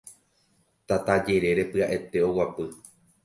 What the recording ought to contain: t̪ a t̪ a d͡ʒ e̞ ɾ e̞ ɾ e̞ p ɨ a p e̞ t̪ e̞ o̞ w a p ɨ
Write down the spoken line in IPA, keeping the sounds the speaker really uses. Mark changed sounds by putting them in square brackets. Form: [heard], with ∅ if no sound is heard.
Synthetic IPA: t̪ a t̪ a d͡ʒ e̞ ɾ e̞ ɾ e̞ p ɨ a [ʔ] e̞ t̪ e̞ o̞ w a p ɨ